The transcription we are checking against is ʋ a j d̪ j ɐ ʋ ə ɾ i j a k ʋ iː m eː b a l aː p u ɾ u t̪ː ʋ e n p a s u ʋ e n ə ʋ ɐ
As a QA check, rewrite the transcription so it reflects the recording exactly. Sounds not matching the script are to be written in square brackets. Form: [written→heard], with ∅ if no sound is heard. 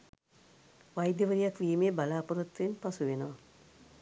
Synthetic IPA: ʋ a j d̪ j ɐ ʋ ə ɾ i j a k ʋ iː m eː b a l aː p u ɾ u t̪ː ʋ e n p a s u ʋ e n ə ʋ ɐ